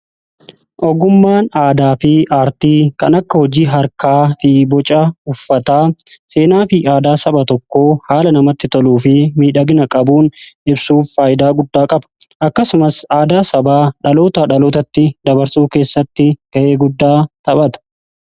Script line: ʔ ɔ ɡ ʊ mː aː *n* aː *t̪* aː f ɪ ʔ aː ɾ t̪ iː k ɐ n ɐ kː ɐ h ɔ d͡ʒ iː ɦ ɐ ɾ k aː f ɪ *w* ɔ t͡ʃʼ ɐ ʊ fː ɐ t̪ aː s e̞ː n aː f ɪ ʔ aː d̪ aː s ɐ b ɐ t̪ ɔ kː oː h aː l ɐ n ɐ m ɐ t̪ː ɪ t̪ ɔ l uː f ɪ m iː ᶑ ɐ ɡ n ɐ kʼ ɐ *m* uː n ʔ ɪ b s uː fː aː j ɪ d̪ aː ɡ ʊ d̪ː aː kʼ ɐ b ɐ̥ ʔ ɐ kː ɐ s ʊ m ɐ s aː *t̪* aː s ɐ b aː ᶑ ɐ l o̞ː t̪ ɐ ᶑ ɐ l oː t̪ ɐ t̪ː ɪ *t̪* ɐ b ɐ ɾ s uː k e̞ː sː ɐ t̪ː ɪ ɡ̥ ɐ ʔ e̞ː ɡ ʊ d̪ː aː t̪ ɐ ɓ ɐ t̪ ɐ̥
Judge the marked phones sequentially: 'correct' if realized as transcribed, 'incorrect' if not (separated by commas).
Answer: correct, incorrect, incorrect, incorrect, incorrect, incorrect